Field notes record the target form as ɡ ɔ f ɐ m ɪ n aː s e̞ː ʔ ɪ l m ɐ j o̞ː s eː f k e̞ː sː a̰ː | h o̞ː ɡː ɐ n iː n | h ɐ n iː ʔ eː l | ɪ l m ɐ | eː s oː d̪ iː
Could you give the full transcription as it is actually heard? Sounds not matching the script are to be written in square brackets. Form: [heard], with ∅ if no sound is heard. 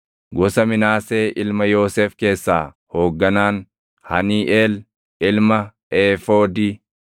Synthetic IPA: ɡ ɔ [s] ɐ m ɪ n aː s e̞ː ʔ ɪ l m ɐ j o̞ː s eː f k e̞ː sː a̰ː | h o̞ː ɡː ɐ n [aː] n | h ɐ n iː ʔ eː l | ɪ l m ɐ | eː [f] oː d̪ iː